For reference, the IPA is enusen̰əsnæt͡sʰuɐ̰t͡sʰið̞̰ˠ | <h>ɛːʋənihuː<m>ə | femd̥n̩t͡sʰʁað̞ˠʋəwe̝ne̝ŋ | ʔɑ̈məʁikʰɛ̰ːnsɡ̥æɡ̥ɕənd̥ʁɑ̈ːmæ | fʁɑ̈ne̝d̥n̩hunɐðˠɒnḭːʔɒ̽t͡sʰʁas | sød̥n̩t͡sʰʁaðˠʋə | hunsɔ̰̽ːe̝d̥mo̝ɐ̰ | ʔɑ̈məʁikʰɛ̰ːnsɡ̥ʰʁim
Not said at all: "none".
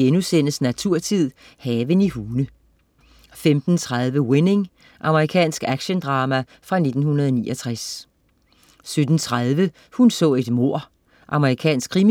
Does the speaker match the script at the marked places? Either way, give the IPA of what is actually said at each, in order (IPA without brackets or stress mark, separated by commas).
h, n